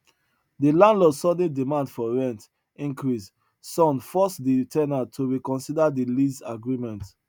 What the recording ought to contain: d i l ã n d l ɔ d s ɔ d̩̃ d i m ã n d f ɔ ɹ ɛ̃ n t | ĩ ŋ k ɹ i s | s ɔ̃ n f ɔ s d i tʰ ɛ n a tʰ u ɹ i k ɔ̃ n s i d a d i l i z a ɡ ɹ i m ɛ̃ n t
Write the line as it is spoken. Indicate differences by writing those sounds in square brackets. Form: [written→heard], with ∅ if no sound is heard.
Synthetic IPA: d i l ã n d l ɔ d s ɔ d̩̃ d i m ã n d f ɔ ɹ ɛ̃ n t | ĩ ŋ k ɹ i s | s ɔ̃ n f ɔ s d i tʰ ɛ n a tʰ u ɹ i k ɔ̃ n s i d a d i l i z a ɡ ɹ i m ɛ̃ n t